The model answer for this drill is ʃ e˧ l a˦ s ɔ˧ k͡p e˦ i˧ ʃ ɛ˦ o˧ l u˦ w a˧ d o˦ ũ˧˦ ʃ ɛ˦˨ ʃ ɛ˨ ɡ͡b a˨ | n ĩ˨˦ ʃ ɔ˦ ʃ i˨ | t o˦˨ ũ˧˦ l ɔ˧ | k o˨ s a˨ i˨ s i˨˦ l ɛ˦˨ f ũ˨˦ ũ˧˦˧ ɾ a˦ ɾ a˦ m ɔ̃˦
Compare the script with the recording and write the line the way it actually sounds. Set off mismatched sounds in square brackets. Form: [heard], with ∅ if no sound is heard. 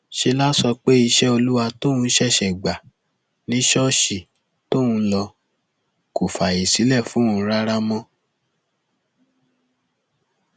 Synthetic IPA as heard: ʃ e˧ l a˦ s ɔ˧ k͡p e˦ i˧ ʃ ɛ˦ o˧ l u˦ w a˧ [t] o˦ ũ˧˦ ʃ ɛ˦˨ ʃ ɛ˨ ɡ͡b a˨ | n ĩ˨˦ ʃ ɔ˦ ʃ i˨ | t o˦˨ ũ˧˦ l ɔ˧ | k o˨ [f] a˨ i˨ s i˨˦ l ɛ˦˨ f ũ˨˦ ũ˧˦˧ ɾ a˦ ɾ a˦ m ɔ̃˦